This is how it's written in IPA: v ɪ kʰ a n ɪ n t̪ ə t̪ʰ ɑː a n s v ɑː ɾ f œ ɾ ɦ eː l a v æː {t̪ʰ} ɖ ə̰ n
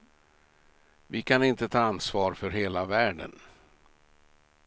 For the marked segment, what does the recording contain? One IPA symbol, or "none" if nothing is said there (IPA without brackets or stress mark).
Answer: none